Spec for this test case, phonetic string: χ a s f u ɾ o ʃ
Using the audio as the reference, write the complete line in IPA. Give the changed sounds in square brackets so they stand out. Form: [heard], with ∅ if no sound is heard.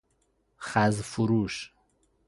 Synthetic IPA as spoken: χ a [z] f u ɾ [u] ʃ